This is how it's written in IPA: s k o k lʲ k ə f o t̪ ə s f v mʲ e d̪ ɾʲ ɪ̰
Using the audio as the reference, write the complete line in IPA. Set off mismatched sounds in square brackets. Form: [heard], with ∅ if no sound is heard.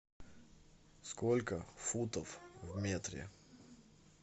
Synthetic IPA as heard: s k o [∅] lʲ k ə f [u] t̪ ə [∅] f v mʲ e [t̪] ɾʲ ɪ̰